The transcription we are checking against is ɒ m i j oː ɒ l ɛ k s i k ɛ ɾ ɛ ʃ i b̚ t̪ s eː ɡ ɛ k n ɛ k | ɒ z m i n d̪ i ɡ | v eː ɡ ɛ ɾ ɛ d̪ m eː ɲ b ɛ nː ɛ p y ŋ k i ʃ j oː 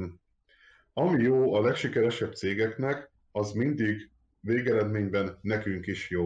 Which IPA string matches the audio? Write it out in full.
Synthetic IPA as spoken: ɒ m i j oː ɒ l ɛ k ʃ i k ɛ ɾ ɛ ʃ ɛ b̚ t̪ s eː ɡ ɛ k n ɛ k | ɒ z m i n d̪ i ɡ | v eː ɡ ɛ ɾ ɛ d̪ m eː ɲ b ɛ nː ɛ k y ŋ k i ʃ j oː